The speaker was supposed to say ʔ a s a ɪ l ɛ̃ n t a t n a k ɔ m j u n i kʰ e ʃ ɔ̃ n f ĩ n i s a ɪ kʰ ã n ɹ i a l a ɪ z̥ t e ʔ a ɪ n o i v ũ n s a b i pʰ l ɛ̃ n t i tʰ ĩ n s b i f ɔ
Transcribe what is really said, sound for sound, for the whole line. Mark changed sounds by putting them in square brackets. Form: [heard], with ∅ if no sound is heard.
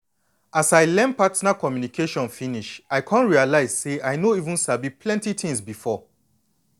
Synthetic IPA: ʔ a s a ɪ l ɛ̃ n [p] a t n a k ɔ m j u n i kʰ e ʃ ɔ̃ n f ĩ n i [ʃ] a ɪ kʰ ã n ɹ i a l a ɪ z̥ [s] e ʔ a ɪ n o i v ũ n s a b i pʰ l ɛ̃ n t i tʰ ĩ [ŋ] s b i f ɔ